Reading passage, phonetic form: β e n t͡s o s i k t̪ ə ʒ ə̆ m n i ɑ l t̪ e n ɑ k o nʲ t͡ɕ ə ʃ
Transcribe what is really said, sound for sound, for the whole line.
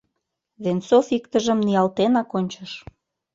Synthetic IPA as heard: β e n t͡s o f i k t̪ ə ʒ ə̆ m n i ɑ l t̪ e n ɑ k o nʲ t͡ɕ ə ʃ